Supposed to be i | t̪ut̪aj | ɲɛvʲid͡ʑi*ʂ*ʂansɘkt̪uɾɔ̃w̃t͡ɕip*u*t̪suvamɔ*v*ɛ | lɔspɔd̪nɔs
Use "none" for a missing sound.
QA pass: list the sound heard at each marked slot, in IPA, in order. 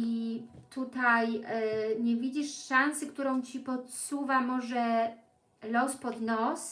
ʂ, ɔ, ʐ

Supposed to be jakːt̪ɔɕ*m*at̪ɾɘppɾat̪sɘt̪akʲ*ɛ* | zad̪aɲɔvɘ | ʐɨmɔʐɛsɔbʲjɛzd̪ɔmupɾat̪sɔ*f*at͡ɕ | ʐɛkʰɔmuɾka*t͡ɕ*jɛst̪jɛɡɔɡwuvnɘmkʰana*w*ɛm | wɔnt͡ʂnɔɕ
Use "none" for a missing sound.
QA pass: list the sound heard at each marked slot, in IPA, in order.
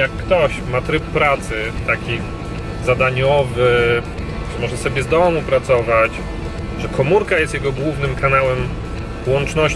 m, i, v, none, w

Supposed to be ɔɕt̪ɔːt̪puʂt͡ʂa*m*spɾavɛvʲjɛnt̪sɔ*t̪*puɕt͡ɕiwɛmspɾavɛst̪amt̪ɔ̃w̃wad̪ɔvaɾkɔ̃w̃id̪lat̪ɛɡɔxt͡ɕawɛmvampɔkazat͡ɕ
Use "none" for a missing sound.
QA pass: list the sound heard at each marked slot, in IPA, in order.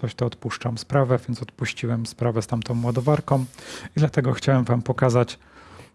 m, t̪

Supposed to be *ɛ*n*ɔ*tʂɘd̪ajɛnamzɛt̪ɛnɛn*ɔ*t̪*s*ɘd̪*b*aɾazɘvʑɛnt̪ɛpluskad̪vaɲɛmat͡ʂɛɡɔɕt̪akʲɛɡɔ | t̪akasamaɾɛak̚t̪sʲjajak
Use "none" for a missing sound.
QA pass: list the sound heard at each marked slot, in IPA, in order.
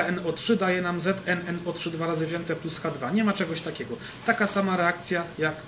ɛ, ɔ, ɔ, ʂ, v

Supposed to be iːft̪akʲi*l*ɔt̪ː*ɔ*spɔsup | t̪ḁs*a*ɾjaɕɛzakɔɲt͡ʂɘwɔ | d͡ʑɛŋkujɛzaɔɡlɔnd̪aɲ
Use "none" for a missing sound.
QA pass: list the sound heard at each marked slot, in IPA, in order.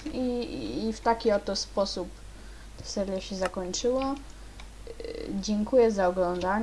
none, ɔ, ɛ

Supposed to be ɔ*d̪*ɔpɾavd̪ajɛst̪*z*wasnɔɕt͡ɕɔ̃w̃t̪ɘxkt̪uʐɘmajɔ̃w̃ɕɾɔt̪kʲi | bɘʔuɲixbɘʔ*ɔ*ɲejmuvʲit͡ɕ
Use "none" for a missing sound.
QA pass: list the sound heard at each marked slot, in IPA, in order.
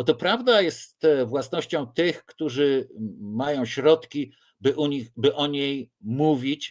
t̪, v, ɔ

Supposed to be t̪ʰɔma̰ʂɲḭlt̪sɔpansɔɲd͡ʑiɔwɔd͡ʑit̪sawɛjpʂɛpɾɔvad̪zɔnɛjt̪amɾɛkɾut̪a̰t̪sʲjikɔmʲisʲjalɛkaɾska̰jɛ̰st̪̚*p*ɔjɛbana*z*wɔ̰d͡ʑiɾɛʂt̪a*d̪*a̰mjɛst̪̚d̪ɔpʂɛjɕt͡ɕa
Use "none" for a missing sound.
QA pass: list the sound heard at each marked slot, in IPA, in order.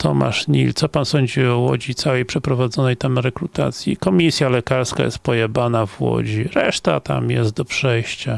p, v, t̪

